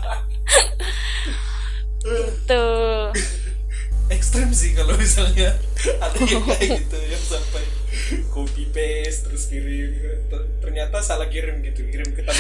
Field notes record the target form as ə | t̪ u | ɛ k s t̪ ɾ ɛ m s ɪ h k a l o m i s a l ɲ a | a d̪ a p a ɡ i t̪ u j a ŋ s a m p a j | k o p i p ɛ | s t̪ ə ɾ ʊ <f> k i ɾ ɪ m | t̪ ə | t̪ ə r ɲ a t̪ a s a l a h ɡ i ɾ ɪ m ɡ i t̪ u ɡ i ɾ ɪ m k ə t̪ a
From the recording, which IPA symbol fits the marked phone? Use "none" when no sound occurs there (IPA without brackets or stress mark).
s